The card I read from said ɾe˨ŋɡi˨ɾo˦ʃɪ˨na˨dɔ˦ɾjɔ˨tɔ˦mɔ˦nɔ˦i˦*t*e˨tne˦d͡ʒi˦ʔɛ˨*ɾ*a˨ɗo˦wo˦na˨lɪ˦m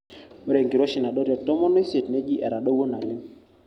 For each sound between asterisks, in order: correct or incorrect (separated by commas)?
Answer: incorrect, correct